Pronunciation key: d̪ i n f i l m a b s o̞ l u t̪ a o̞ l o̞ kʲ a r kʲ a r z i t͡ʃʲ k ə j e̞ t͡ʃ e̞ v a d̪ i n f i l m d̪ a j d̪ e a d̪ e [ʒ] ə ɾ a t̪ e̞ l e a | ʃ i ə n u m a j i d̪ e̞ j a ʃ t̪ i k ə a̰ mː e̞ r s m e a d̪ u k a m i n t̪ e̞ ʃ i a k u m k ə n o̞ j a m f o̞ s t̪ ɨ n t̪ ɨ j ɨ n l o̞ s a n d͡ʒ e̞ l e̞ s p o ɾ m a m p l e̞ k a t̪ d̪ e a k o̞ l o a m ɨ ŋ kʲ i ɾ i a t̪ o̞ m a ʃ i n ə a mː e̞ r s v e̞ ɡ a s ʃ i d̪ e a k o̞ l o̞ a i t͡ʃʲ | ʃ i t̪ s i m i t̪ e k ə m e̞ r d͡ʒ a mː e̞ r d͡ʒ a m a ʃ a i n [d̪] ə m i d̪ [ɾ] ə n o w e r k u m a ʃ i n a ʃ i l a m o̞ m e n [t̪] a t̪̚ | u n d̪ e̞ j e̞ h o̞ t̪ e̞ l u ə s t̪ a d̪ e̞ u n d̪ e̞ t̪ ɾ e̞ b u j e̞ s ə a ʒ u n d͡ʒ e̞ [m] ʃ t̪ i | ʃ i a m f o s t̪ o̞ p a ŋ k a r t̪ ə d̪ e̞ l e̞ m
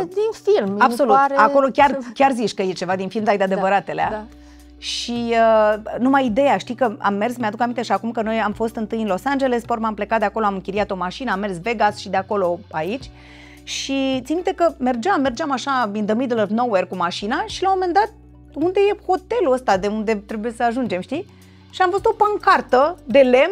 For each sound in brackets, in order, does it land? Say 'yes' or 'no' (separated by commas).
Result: no, yes, no, no, yes